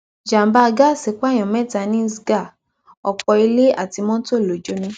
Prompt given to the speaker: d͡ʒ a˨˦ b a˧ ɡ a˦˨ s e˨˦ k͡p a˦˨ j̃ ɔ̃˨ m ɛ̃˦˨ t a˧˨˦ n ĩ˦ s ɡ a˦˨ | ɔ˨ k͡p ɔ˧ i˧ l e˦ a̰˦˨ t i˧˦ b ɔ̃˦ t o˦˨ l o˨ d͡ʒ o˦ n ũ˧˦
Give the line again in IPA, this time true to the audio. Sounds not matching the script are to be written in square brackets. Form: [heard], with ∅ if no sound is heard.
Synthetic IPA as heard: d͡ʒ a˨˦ b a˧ ɡ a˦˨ s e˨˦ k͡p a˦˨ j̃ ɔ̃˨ m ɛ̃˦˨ t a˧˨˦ n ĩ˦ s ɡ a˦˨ | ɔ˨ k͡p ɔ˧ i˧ l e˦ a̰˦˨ t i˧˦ [m] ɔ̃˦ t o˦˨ l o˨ d͡ʒ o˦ n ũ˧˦